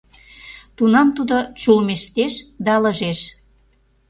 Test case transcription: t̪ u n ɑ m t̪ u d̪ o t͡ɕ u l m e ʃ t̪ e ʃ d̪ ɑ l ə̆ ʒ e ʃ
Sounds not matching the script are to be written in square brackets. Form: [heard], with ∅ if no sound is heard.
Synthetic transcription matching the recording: t̪ u n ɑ m t̪ u d̪ o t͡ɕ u l m e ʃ t̪ e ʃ d̪ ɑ l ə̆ ʒ e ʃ